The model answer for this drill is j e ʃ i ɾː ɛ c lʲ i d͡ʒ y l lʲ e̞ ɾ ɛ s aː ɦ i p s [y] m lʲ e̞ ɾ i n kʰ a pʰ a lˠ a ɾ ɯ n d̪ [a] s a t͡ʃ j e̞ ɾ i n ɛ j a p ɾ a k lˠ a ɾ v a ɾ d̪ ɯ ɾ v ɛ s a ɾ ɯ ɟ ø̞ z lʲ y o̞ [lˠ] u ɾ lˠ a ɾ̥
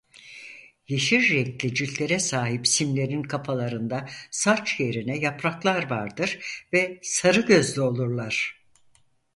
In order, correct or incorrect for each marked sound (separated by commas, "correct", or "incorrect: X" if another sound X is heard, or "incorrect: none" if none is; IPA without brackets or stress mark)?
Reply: incorrect: i, correct, correct